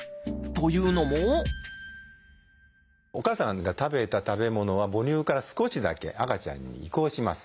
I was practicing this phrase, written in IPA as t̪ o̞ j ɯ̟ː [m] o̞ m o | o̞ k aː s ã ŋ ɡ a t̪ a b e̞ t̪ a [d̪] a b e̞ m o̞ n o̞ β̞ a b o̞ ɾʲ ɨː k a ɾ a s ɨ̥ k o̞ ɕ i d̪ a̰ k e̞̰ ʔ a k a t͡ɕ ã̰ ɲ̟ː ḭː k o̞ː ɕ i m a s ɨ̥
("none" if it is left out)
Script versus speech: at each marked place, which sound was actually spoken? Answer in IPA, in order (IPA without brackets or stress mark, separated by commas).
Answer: n, t̪